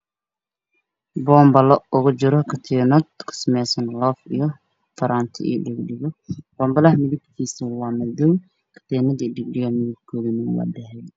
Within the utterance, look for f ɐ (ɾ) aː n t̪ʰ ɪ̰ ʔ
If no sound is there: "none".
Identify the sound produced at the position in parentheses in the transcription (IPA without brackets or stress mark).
ɾ